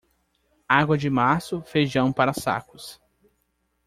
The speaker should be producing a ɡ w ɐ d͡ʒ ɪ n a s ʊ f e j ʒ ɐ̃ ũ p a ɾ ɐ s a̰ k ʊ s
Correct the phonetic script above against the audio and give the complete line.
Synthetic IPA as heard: a ɡ w ɐ d͡ʒ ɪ m a s ʊ f e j ʒ ɐ̃ w̃ p a ɾ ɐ s a̰ k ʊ s